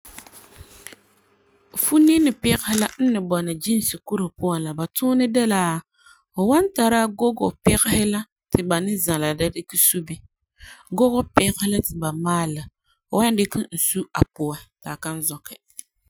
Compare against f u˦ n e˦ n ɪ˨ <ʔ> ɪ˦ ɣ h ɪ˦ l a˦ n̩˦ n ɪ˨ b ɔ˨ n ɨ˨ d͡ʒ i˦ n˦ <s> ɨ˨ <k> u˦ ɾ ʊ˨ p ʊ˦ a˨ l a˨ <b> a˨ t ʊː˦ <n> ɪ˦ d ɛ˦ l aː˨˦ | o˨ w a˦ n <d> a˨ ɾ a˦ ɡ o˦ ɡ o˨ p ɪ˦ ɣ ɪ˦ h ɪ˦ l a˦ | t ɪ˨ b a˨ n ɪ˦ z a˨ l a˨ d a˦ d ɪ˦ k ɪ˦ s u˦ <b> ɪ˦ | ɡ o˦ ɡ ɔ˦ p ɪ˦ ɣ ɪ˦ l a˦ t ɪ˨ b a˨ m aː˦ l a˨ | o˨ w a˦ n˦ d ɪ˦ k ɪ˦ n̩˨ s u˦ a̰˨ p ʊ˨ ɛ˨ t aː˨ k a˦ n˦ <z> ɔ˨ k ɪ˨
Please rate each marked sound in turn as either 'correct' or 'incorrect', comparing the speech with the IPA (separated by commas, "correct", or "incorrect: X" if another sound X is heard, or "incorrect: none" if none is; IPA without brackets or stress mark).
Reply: incorrect: p, correct, correct, correct, correct, incorrect: t, correct, correct